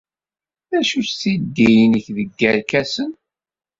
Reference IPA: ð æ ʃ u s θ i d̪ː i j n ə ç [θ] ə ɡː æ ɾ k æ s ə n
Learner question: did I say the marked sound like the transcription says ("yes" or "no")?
no